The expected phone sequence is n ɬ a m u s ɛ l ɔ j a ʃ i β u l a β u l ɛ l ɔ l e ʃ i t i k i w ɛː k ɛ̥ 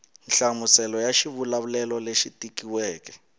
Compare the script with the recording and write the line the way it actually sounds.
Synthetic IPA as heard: n ɬ a m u s ɛ l ɔ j a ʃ i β u l a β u l ɛ l ɔ l e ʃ i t i k i w ɛː k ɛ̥